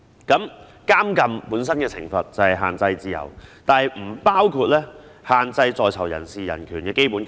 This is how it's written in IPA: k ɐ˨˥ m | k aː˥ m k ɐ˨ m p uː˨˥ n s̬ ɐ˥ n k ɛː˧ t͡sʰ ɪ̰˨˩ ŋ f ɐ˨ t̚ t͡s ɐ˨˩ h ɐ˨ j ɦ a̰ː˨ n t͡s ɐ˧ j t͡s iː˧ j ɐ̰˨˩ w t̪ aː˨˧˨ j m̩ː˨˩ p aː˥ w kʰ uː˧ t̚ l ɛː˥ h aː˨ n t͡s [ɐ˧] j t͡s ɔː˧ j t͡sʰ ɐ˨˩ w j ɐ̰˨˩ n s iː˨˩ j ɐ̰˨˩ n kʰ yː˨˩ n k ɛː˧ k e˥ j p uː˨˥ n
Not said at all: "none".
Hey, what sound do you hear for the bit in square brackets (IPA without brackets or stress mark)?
ɐ˧